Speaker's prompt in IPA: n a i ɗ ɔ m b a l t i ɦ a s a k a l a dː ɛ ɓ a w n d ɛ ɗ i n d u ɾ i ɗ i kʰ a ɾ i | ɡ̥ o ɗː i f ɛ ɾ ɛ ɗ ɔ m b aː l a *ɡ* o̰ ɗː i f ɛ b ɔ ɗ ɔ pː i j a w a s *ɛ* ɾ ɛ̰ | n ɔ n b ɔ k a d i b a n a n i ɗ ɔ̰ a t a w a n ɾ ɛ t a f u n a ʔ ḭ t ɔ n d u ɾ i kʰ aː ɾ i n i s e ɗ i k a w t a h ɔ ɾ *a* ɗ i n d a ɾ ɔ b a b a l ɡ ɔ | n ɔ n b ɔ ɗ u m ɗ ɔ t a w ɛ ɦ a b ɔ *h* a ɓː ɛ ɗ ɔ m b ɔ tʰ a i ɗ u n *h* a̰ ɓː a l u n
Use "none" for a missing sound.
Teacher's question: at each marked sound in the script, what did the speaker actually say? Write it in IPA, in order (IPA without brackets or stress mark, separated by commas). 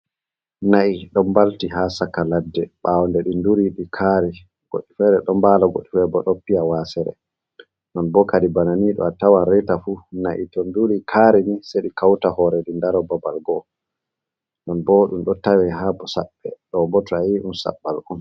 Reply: ɡ, ɛ, ɛ, s, s